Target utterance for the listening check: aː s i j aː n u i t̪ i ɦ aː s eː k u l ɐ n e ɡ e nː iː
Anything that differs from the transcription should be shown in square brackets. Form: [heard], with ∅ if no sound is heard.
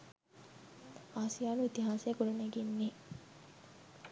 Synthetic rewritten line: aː s i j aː n u i t̪ i ɦ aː s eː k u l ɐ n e ɡ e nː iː